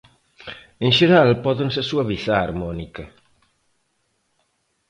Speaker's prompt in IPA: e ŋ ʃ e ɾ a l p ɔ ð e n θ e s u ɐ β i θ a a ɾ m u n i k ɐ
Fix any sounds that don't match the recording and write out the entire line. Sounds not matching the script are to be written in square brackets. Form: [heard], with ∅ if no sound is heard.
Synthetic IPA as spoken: e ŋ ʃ e ɾ a l p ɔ ð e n [s] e s u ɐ β i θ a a ɾ m [ɔ] n i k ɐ